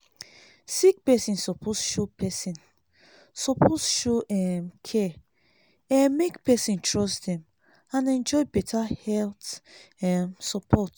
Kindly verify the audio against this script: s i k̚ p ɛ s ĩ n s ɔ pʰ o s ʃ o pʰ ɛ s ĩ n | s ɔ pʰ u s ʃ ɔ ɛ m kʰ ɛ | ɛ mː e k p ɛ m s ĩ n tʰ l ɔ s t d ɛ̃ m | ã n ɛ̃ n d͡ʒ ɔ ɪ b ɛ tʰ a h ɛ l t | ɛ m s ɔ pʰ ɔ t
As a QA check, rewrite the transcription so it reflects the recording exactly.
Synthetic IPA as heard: s i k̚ p ɛ s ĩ n s ɔ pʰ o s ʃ o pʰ ɛ s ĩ n | s ɔ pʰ o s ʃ o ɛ m kʰ ɛ | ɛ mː e k p ɛ s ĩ n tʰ ɹ ɔ s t d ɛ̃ m | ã n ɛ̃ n d͡ʒ ɔ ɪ b ɛ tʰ a h ɛ l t | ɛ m s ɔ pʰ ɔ t